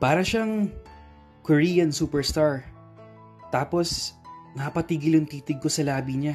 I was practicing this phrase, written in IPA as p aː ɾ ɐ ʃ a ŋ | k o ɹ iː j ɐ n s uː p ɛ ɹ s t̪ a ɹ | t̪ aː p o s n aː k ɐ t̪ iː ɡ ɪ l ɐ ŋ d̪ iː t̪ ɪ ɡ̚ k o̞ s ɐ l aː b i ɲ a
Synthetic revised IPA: p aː ɾ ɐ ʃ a ŋ | k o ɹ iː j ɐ n s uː p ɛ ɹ s t̪ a ɹ | t̪ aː p o s n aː p ɐ t̪ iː ɡ ɪ l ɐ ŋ t̪ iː t̪ ɪ ɡ̚ k o̞ s ɐ l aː b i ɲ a